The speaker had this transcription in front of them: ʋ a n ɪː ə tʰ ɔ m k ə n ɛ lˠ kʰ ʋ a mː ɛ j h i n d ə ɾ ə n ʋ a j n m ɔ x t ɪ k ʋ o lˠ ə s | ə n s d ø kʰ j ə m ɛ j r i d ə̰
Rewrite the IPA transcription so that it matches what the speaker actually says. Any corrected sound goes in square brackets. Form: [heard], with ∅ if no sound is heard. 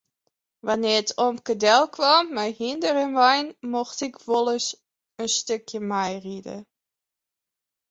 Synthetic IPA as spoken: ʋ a n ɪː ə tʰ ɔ m k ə [d] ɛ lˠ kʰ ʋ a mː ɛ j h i n d ə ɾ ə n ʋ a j n m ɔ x t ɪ k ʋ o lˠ ə s | ə n s [t] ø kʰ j ə m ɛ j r i d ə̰